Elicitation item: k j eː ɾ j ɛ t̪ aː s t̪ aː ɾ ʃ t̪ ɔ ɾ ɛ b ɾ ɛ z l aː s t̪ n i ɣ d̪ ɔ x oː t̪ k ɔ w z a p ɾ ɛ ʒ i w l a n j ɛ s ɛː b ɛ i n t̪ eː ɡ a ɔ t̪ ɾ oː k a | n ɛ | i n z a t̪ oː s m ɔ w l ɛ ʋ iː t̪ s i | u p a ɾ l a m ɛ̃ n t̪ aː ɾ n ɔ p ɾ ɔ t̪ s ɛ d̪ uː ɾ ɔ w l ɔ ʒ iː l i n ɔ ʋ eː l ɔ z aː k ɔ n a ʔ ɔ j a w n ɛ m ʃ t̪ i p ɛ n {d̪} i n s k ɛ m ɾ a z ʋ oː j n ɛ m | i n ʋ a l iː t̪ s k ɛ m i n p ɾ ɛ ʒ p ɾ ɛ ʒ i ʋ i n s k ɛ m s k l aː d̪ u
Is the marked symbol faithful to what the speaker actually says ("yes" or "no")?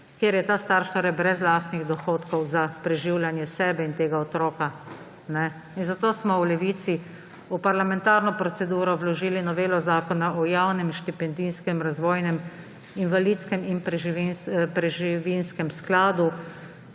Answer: yes